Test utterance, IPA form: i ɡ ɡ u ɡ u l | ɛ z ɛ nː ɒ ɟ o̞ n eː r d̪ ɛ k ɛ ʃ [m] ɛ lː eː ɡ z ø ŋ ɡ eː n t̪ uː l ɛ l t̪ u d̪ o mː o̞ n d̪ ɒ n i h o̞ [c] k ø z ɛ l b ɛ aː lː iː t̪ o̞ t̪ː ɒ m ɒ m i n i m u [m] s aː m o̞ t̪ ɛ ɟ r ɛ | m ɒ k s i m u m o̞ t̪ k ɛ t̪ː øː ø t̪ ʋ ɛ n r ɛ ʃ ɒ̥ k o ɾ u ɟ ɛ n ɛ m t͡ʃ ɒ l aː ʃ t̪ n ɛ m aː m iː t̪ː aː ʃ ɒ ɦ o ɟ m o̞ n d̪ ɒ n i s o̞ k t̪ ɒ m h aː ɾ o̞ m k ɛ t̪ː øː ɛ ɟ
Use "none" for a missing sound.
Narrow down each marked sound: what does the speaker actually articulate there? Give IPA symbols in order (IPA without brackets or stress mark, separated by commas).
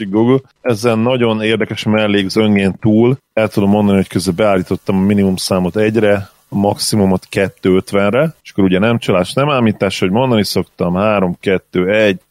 m, c, m